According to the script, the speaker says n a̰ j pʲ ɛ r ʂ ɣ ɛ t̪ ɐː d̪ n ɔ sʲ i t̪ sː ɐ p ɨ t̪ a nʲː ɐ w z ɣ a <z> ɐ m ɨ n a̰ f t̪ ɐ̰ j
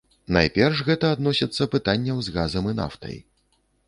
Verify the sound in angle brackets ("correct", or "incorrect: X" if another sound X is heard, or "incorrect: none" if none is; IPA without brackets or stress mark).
correct